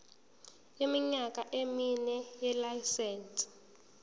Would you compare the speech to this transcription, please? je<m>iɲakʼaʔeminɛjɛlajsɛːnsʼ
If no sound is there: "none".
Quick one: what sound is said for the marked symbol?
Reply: m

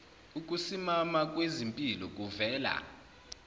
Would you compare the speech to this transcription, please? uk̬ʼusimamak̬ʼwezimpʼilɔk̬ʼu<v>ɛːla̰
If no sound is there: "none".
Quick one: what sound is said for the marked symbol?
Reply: v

